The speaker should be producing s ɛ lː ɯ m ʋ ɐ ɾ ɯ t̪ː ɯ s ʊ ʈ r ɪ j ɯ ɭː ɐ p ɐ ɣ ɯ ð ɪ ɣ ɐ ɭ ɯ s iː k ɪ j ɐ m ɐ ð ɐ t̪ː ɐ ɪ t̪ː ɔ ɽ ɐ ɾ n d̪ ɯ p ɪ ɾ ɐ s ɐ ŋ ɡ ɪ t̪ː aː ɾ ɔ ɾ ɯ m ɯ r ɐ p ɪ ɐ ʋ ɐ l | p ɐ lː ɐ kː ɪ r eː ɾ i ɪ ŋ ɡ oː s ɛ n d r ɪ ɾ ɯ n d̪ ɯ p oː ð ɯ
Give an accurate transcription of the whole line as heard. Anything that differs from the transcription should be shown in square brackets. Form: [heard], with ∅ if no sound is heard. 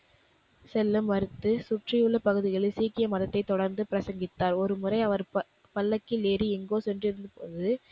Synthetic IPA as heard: s ɛ lː ɯ m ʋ ɐ ɾ ɯ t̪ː ɯ s ʊ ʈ r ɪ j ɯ ɭː ɐ p ɐ ɣ ɯ ð ɪ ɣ ɐ ɭ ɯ s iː k ɪ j ɐ m ɐ ð ɐ t̪ː ɐ ɪ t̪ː ɔ ɽ ɐ ɾ n d̪ ɯ p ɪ ɾ ɐ s ɐ ŋ ɡ ɪ t̪ː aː ɾ ɔ ɾ ɯ m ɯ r ɐ [∅] ɪ ɐ ʋ ɐ [ɾ] | p ɐ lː ɐ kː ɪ [l] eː ɾ i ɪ ŋ ɡ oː s ɛ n d r ɪ ɾ ɯ n d̪ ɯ p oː ð ɯ